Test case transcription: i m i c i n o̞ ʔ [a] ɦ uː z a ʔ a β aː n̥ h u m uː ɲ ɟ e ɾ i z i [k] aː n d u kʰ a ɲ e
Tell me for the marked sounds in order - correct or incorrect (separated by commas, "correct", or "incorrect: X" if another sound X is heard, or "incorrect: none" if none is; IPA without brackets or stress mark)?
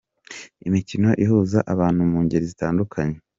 incorrect: i, incorrect: t